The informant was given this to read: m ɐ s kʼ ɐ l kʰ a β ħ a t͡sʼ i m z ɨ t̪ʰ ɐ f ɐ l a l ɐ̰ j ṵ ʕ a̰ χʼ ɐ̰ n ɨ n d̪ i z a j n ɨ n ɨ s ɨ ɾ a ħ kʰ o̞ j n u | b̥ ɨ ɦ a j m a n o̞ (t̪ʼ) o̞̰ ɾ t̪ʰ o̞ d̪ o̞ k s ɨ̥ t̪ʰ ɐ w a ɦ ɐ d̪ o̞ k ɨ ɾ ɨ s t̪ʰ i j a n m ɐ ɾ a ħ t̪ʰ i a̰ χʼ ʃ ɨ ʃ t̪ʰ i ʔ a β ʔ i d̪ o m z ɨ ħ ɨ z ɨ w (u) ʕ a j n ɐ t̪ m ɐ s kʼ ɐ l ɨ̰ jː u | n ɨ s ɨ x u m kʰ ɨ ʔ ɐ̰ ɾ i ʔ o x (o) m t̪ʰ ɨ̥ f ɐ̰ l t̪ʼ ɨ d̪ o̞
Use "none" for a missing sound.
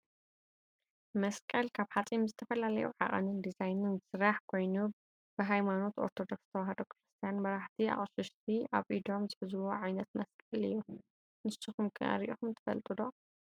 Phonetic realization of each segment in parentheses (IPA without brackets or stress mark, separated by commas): t̪, o, u